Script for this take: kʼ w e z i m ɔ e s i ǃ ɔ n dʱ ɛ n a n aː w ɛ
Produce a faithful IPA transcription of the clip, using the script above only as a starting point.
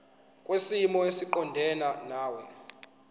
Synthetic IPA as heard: kʼ w e s i m ɔ e s i ǃ ɔ n dʱ ɛ n a n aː w ɛ